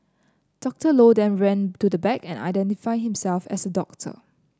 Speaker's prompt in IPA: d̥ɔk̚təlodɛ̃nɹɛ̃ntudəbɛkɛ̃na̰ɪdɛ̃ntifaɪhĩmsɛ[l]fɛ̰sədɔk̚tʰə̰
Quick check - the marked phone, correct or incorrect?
correct